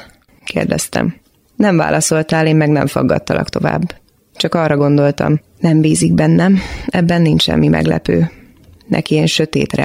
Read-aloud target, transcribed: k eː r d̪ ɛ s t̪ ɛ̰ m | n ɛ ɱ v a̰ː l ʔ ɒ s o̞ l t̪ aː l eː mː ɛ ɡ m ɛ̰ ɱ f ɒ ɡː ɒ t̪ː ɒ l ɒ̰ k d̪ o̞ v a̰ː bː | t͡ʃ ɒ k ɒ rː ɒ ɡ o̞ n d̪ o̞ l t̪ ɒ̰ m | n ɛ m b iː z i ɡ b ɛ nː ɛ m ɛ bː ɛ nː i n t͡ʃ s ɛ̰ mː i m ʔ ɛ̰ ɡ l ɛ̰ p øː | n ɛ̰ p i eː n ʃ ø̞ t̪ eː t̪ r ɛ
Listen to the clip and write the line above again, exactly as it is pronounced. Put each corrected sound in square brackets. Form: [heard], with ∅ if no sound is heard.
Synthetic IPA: k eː r d̪ ɛ s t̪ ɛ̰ m | n ɛ ɱ v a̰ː l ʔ ɒ s o̞ l t̪ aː l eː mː ɛ ɡ [n] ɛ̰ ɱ f ɒ ɡː ɒ t̪ː ɒ l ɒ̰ k [t̪] o̞ v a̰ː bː | t͡ʃ ɒ k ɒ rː ɒ ɡ o̞ n d̪ o̞ l t̪ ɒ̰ m | n ɛ m b iː z i ɡ b ɛ nː ɛ m ɛ bː ɛ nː i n t͡ʃ [ʃ] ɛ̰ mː i m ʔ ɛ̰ ɡ l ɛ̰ p øː | n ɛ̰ [k] i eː n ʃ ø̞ t̪ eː t̪ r ɛ